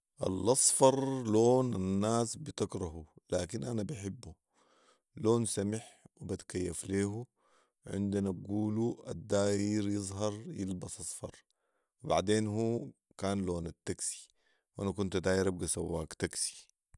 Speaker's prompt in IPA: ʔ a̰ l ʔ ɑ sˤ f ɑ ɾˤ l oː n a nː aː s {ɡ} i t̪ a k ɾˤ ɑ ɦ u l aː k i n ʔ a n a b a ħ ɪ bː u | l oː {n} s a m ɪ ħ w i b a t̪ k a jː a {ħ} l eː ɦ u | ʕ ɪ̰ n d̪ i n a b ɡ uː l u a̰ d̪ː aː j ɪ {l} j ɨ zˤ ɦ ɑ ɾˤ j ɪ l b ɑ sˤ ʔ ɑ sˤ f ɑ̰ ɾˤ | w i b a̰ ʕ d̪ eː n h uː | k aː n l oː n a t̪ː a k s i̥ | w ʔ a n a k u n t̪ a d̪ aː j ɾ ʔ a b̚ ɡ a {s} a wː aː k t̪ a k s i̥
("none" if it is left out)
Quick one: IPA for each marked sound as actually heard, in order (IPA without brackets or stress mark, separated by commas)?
b, n, f, ɾ, s